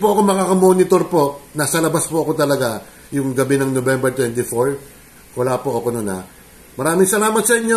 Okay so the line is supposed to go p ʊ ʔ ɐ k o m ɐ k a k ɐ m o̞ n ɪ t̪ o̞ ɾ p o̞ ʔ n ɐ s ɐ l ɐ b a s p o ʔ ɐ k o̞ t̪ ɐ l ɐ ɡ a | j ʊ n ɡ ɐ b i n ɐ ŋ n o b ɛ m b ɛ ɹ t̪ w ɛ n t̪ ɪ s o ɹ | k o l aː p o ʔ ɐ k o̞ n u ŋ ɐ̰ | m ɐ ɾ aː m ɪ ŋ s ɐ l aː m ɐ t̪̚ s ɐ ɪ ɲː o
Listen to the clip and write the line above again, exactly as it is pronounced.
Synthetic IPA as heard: p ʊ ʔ ɐ k o m ɐ k a k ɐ m o̞ n ɪ t̪ o̞ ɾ p o̞ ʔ n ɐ s ɐ l ɐ b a s p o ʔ ɐ k o̞ t̪ ɐ l ɐ ɡ a | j ʊ ŋ ɡ ɐ b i n ɐ ŋ n o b ɛ m b ɛ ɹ t̪ w ɛ n t̪ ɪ f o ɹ | k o l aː p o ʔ ɐ k o̞ n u n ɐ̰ | m ɐ ɾ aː m ɪ ŋ s ɐ l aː m ɐ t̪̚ s ɐ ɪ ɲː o